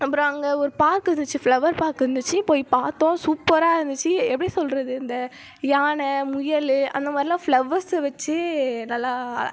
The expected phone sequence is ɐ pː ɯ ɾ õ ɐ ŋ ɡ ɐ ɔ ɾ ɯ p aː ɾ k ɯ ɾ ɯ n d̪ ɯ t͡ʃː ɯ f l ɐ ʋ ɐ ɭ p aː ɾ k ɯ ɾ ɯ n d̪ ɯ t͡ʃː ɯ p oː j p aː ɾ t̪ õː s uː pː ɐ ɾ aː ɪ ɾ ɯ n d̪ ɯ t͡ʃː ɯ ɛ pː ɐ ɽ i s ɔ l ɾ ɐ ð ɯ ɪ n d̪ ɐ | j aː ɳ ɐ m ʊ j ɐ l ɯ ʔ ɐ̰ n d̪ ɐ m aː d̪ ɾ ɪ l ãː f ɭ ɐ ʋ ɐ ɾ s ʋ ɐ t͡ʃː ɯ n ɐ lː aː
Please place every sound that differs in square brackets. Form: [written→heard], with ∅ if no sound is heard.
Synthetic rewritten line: ɐ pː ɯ ɾ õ ɐ ŋ ɡ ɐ ɔ ɾ ɯ p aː ɾ k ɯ ɾ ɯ n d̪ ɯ t͡ʃː ɯ f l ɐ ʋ ɐ [ɭ→ɾ] p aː ɾ k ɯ ɾ ɯ n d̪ ɯ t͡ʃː ɯ p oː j p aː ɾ t̪ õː s uː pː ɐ ɾ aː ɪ ɾ ɯ n d̪ ɯ t͡ʃː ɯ ɛ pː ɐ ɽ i s ɔ l ɾ ɐ ð ɯ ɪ n d̪ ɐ | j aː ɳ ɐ m ʊ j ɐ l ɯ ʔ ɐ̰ n d̪ ɐ m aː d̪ ɾ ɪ l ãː f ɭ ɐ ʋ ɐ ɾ s ʋ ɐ t͡ʃː ɯ n ɐ lː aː